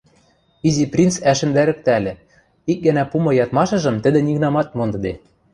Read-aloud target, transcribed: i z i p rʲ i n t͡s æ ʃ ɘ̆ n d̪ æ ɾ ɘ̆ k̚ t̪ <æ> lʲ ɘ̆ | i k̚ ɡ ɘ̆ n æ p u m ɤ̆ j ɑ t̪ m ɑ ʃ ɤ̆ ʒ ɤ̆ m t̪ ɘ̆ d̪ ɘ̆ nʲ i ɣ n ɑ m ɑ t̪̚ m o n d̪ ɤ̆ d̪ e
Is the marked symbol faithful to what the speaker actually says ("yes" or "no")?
yes